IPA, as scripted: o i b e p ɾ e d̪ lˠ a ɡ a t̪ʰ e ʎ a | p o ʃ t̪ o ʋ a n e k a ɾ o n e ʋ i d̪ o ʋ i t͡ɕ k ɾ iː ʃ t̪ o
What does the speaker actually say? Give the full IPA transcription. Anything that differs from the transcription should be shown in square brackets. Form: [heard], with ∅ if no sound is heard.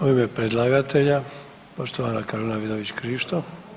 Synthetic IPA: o i [m] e p ɾ e d̪ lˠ a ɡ a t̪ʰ e ʎ a | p o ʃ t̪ o ʋ a n [a] k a ɾ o n [a] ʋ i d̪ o ʋ i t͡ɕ k ɾ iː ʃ t̪ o